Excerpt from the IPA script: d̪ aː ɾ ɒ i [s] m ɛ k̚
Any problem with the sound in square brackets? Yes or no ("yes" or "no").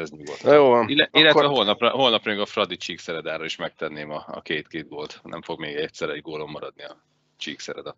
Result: yes